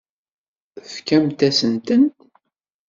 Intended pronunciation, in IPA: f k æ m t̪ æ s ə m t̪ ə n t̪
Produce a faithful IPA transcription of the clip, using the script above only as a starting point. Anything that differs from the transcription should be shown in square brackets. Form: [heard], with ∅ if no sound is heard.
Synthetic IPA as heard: f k æ m t̪ æ s ə [n] t̪ ə n t̪